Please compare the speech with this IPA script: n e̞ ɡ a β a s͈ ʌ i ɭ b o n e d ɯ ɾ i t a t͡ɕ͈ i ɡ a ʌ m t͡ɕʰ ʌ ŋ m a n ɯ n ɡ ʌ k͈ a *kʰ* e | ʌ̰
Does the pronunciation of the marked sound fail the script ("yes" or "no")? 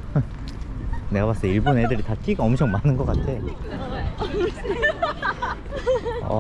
yes